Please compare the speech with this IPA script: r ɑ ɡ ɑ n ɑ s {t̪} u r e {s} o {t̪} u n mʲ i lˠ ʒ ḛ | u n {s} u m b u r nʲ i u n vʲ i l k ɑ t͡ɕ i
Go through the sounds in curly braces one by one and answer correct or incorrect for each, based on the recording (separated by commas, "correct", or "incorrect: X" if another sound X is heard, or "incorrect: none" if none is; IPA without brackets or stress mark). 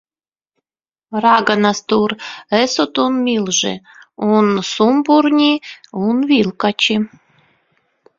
correct, correct, correct, correct